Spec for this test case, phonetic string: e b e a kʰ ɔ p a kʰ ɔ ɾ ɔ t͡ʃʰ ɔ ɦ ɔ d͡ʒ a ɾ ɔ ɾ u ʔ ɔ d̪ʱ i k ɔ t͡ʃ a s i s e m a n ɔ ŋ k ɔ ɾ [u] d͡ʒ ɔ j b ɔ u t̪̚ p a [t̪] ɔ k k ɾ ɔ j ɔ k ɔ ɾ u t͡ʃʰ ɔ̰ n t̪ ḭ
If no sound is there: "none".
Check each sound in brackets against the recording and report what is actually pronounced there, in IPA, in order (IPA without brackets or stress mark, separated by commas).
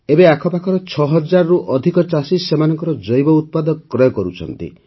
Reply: ɔ, d̪